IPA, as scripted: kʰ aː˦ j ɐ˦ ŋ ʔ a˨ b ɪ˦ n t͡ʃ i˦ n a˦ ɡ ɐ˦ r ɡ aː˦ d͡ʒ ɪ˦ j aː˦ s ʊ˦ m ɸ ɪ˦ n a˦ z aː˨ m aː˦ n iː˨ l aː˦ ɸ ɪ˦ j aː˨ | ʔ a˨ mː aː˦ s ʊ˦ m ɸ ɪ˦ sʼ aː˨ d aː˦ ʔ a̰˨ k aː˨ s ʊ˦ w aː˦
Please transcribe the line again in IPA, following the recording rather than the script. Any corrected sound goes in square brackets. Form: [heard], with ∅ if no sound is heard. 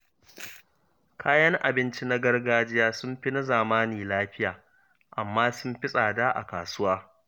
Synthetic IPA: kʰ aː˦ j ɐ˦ ŋ ʔ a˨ b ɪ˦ n t͡ʃ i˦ n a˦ ɡ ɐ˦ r ɡ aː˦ d͡ʒ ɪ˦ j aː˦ s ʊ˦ m ɸ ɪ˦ n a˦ z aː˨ m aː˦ n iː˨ l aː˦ ɸ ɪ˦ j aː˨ | ʔ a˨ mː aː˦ s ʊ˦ m ɸ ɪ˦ sʼ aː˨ d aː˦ ʔ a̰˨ k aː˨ s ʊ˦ w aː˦